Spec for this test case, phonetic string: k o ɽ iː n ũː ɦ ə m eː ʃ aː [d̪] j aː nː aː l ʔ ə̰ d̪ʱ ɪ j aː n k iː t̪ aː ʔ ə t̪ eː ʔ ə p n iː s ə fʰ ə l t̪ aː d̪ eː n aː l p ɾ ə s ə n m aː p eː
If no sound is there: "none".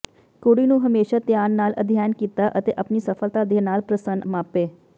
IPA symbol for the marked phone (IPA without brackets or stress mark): t̪